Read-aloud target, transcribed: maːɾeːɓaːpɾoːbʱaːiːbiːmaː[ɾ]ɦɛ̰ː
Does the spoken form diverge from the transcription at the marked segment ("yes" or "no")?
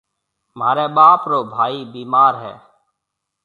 no